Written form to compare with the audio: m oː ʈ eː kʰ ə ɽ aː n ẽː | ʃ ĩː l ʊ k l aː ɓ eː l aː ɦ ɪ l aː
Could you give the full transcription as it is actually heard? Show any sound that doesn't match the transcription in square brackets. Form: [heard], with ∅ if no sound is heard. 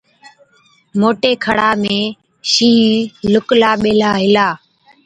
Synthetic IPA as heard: m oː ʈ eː kʰ ə ɽ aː [m] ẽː | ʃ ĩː l ʊ k l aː ɓ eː l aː ɦ ɪ l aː